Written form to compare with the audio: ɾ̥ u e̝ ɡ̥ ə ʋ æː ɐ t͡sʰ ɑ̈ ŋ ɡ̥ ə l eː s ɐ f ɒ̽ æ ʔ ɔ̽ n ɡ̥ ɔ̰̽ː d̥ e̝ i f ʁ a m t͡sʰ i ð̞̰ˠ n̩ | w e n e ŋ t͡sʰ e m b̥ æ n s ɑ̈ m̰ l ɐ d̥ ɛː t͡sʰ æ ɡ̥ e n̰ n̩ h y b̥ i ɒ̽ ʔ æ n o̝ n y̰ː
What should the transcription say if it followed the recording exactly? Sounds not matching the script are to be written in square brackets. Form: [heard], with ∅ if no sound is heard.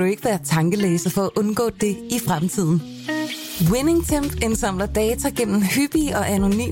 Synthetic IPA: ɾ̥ u e̝ ɡ̥ ə ʋ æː ɐ t͡sʰ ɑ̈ ŋ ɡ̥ ə l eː s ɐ f ɒ̽ æ ʔ ɔ̽ n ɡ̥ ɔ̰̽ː d̥ e̝ i f ʁ a m t͡sʰ i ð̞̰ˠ n̩ | w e n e ŋ t͡sʰ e m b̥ [e] n s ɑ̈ m̰ l ɐ d̥ ɛː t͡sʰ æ ɡ̥ e n̰ [m̩] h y b̥ i ɒ̽ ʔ æ n o̝ n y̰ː